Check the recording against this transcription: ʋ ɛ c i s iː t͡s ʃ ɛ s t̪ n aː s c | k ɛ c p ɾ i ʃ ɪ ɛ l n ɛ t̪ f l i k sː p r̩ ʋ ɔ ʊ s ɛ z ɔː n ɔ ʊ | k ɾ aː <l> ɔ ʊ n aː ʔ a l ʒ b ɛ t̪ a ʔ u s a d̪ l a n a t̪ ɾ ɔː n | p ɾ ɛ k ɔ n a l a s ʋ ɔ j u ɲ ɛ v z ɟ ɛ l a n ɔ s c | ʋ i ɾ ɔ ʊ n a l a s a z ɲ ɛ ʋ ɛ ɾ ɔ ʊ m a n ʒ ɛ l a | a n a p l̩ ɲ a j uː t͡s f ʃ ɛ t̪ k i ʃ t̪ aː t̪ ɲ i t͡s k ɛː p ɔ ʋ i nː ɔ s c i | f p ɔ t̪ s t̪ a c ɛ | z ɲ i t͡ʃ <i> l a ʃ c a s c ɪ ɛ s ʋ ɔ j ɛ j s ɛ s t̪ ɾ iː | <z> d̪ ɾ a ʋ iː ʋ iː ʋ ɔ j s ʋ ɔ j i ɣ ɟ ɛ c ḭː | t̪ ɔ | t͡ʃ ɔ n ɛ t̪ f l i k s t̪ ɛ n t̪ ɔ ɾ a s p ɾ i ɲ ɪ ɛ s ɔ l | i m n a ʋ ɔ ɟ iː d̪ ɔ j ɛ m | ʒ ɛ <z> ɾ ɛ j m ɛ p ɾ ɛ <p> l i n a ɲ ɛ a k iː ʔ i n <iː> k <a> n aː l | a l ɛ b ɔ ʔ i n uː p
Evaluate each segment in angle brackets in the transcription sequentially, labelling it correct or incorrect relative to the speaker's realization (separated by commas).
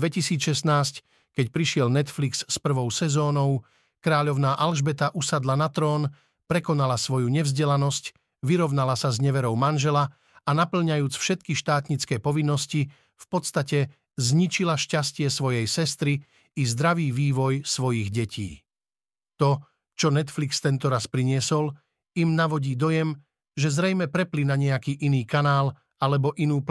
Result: incorrect, correct, correct, correct, correct, correct, correct